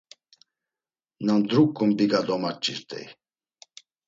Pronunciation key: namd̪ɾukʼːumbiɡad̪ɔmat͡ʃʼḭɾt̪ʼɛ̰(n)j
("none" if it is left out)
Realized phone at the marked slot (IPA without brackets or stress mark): none